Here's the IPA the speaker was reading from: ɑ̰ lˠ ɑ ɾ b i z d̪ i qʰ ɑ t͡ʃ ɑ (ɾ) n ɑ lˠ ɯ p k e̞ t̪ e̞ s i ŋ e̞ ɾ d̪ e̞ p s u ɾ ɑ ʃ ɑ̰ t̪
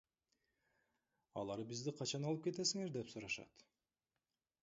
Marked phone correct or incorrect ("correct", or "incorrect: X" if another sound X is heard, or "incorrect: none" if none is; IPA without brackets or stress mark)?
incorrect: none